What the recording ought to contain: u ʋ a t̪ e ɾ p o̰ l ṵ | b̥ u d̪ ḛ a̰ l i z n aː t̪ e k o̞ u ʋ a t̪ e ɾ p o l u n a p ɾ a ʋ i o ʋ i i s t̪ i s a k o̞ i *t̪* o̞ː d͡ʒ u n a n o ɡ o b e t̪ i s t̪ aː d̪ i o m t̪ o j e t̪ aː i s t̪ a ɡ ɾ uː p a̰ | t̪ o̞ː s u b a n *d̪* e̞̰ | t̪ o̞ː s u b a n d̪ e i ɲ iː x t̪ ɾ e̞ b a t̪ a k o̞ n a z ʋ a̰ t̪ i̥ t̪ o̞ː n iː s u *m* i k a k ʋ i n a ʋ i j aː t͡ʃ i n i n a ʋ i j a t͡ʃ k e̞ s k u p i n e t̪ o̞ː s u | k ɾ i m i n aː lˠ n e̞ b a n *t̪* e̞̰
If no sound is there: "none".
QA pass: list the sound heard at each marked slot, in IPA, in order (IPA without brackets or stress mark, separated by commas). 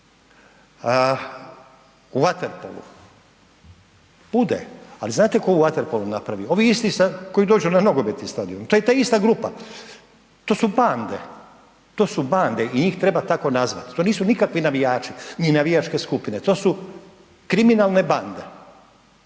d̪, d̪, n, d̪